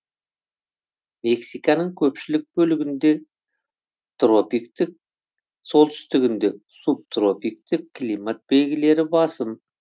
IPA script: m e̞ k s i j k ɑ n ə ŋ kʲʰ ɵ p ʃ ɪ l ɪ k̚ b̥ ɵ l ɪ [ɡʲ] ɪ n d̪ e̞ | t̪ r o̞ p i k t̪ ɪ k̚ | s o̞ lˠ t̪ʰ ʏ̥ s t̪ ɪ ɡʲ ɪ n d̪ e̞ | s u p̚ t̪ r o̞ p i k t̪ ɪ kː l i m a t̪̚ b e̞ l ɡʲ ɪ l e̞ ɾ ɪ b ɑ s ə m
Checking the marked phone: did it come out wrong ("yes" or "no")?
no